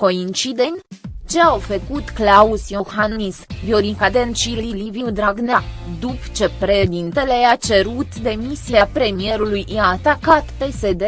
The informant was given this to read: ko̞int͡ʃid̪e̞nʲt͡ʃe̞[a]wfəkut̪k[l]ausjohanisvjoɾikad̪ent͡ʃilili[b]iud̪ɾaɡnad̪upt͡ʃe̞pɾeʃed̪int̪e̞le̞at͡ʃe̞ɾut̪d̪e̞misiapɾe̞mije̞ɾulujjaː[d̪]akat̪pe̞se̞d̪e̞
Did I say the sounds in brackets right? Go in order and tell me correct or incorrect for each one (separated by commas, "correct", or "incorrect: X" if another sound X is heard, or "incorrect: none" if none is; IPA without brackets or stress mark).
correct, correct, incorrect: v, incorrect: t̪